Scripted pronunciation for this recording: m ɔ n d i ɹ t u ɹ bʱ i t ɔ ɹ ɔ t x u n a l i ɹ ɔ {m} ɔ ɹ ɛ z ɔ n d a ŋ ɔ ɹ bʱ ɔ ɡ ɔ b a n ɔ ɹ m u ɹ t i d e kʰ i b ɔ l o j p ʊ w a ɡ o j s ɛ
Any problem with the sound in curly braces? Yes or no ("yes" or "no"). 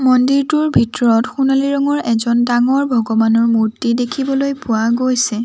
yes